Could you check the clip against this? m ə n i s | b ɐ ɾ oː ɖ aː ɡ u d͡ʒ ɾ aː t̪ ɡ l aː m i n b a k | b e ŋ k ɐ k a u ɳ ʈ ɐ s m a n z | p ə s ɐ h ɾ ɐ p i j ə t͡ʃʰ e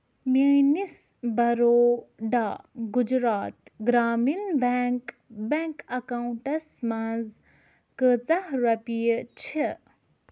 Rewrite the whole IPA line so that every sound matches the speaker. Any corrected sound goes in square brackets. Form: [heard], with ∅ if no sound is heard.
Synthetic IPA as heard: m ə n i s | b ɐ ɾ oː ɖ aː ɡ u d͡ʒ ɾ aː t̪ ɡ [ɾ] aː m i n b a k | b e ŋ k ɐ k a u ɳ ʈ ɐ s m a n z | [k] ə [t͡s] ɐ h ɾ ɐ p i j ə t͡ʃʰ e